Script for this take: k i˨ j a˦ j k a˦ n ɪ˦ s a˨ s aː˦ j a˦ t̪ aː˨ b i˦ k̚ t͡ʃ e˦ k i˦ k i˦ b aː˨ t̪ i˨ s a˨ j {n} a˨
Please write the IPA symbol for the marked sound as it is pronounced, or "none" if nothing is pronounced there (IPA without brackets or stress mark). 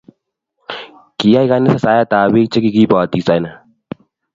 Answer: n